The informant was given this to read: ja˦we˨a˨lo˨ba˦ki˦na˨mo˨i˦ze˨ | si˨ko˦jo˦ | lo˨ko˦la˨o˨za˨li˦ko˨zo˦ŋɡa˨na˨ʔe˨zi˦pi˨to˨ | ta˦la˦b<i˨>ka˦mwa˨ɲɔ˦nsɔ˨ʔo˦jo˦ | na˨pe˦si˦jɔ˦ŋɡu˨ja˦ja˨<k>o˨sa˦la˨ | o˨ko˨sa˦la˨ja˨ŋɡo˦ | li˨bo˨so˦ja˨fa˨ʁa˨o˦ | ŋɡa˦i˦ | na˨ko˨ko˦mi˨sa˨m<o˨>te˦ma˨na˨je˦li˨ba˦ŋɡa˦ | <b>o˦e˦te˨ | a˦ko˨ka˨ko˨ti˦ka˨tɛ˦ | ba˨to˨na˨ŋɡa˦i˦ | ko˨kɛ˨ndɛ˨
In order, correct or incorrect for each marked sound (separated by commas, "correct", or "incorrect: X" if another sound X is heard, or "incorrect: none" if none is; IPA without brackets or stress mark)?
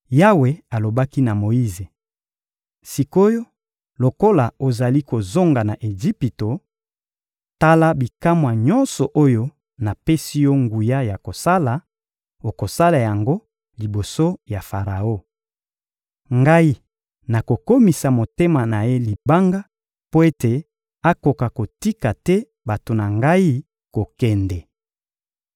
correct, correct, correct, incorrect: p